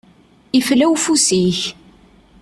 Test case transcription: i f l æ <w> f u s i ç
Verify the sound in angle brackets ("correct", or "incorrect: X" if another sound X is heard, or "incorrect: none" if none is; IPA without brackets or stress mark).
correct